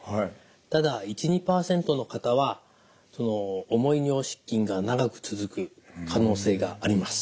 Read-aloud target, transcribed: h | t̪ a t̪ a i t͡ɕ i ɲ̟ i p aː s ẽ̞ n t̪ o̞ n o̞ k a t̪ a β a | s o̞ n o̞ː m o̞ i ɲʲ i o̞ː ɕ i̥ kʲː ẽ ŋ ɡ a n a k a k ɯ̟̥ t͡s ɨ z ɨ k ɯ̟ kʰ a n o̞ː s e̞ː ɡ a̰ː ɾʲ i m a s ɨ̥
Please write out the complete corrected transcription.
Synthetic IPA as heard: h | t̪ a d̪ a i t͡ɕ i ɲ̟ i p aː s ẽ̞ n t̪ o̞ n o̞ k a t̪ a β a | s o̞ n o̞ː m o̞ i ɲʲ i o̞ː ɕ i̥ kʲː ĩ ŋ ɡ a n a ɡ a k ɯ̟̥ t͡s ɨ z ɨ k ɯ̟ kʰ a n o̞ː s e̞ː ɡ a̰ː ɾʲ i m a s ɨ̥